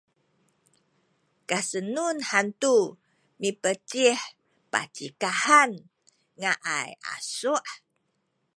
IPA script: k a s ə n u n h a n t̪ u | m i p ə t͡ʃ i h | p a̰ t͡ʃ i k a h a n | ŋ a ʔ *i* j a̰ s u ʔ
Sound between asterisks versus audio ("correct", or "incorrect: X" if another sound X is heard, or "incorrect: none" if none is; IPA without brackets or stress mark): incorrect: a